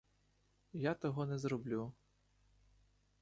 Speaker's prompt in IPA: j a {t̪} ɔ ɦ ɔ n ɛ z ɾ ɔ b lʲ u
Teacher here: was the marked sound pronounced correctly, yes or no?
yes